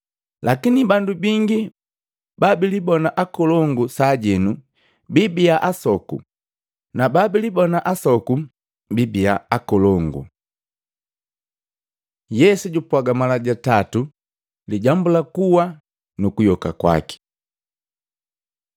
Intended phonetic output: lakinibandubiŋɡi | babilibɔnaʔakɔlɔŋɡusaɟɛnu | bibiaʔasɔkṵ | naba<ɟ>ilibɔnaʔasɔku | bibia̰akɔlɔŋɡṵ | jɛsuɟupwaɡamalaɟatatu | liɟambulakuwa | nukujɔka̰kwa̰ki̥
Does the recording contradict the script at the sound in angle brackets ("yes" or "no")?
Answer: yes